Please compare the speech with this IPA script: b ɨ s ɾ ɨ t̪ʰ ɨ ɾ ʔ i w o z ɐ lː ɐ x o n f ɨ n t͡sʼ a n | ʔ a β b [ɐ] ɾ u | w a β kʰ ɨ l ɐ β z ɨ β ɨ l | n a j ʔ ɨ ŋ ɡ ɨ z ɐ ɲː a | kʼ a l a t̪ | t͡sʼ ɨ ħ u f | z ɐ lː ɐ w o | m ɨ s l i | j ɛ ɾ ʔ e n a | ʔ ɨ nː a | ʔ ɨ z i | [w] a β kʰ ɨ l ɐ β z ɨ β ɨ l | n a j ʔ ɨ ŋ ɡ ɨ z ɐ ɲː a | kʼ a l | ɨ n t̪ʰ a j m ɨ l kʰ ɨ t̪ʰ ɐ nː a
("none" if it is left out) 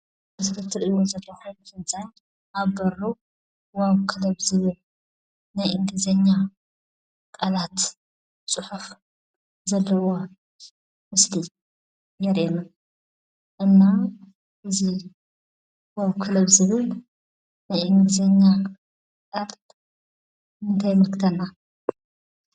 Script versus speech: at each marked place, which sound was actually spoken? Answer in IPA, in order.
ɐ, w

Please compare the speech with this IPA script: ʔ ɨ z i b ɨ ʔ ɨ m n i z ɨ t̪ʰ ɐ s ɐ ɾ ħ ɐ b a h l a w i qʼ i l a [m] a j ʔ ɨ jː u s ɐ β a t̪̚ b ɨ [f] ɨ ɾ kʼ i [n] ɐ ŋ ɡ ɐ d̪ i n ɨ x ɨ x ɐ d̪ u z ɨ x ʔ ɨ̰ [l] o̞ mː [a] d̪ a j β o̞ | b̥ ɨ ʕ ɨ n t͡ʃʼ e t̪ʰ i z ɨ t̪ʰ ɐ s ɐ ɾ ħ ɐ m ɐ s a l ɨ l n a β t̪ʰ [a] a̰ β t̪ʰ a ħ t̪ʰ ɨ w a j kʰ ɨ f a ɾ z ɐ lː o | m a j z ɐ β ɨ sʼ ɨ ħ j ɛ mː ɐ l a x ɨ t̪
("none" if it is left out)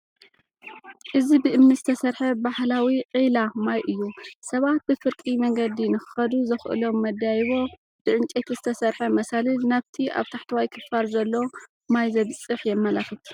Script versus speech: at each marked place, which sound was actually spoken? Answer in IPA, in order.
m, f, m, l, ɐ, i

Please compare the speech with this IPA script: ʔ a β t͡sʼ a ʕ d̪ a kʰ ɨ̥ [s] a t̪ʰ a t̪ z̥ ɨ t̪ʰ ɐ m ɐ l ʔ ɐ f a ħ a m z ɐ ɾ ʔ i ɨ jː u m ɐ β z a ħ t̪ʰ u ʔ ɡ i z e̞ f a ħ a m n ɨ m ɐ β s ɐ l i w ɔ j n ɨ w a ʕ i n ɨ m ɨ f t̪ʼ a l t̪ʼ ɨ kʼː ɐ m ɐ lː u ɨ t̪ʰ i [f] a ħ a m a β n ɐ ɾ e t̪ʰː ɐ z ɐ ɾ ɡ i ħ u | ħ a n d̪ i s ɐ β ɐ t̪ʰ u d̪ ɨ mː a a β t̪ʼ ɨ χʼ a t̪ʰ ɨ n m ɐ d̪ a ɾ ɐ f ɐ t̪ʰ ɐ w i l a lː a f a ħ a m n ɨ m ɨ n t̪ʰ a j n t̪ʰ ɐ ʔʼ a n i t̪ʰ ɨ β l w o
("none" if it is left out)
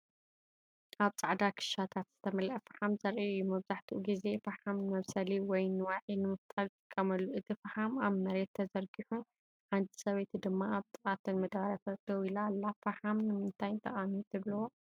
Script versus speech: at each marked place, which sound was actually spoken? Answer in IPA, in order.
ʃ, f

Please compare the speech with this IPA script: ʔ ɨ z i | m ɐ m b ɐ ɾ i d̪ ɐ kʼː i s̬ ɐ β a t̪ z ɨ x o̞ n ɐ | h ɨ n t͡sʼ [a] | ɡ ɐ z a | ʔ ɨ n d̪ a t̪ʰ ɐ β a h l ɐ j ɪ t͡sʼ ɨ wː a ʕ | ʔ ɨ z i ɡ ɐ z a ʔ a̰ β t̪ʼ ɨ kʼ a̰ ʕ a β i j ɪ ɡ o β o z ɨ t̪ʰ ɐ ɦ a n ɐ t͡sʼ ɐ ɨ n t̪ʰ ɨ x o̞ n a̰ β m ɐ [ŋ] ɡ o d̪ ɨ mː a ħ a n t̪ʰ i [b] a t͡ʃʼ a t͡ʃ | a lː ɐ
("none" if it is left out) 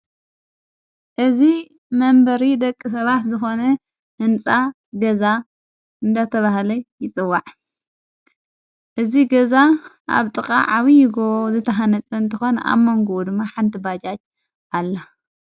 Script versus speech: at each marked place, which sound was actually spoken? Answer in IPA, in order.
a, ŋ, b

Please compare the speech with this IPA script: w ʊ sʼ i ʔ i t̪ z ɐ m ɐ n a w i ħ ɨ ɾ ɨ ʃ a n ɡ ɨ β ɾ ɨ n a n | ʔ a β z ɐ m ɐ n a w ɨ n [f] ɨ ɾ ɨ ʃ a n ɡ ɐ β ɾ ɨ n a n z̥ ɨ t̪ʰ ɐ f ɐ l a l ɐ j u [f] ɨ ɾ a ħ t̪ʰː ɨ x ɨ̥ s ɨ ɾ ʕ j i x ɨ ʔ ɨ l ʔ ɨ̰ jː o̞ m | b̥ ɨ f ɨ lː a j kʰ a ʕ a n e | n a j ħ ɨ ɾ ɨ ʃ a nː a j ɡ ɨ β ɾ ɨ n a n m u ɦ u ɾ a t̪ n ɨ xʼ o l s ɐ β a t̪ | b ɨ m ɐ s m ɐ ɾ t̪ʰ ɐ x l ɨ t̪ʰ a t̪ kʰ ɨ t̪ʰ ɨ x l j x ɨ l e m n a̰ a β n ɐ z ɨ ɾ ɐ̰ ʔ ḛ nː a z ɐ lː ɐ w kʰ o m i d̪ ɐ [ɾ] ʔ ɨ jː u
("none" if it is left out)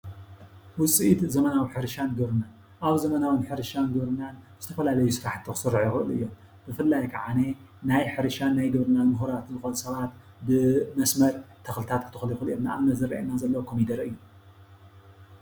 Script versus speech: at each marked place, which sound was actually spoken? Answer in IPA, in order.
ħ, s, ɾ

